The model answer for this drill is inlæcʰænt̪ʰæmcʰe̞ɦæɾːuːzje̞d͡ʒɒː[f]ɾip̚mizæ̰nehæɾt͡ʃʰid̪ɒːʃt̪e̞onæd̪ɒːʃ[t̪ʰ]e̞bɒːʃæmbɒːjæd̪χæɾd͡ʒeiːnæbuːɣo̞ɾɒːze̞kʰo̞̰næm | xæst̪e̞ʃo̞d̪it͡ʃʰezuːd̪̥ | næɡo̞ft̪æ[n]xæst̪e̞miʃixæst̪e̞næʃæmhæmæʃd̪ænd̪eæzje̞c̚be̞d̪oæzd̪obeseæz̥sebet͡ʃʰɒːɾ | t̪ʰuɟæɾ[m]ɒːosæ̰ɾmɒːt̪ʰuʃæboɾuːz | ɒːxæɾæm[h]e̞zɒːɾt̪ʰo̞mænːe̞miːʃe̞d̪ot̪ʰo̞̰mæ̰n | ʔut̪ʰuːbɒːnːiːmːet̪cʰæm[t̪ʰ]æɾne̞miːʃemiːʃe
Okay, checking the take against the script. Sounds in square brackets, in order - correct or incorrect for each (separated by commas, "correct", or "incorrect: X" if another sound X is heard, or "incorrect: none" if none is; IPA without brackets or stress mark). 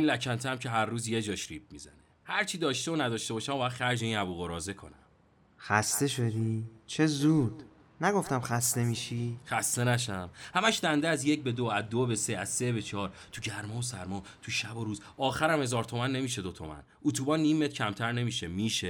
incorrect: ʃ, incorrect: t̪, incorrect: m, correct, correct, correct